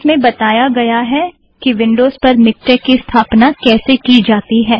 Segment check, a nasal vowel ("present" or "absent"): present